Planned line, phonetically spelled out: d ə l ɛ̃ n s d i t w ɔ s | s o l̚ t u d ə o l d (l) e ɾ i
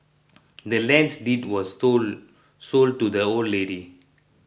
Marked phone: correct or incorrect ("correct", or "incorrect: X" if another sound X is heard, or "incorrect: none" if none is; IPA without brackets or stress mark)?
correct